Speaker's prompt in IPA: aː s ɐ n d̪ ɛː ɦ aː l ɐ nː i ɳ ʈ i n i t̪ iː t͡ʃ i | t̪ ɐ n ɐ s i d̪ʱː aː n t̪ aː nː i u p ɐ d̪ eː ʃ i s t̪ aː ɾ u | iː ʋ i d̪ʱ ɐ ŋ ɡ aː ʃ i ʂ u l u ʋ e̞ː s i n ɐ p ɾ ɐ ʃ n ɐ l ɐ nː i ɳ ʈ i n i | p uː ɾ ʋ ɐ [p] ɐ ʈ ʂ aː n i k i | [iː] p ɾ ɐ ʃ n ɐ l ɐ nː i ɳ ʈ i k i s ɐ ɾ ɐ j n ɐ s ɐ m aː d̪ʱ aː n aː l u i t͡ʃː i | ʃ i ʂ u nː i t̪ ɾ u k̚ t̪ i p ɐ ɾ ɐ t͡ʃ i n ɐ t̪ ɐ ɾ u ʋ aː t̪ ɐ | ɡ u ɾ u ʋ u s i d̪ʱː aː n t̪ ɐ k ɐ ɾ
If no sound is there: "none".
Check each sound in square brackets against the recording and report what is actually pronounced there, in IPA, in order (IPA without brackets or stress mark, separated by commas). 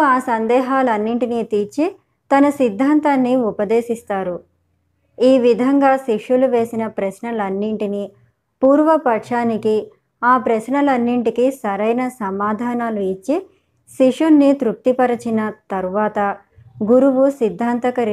p, aː